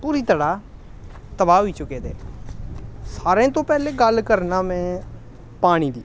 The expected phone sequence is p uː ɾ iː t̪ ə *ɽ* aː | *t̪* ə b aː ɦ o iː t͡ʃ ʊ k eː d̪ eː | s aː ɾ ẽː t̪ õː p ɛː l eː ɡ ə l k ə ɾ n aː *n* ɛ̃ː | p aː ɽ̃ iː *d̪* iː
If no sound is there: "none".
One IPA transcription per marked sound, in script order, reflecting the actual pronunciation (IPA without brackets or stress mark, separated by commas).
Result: ɽ, t̪, m, d̪